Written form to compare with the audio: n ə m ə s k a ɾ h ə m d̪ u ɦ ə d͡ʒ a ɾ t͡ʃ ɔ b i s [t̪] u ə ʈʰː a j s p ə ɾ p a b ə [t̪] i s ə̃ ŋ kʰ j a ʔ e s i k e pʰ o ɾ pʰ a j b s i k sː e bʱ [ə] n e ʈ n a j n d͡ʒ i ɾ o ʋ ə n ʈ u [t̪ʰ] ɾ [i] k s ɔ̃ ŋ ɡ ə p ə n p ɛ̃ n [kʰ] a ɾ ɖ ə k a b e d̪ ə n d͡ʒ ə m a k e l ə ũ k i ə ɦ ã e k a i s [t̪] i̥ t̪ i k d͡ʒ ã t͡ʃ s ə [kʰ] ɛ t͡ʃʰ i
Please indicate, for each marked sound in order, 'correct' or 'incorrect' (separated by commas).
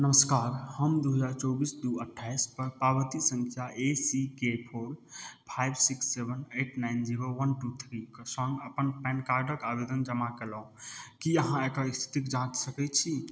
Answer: incorrect, correct, correct, correct, correct, incorrect, incorrect, incorrect